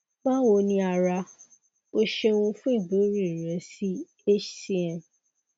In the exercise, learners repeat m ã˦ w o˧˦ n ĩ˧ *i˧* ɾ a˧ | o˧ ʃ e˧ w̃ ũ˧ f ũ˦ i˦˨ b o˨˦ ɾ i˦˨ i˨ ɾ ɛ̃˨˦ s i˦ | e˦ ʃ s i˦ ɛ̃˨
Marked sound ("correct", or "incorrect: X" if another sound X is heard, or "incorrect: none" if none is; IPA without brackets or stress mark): incorrect: a˧